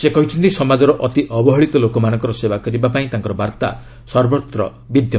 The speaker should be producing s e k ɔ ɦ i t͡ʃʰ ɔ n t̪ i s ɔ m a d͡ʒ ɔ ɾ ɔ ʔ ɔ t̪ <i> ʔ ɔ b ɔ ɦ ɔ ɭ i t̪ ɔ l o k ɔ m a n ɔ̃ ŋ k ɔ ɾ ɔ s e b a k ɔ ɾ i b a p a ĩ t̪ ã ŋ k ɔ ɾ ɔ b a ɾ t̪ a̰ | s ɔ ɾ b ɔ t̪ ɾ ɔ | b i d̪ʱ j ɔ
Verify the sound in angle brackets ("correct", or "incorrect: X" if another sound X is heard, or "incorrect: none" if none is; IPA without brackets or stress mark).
correct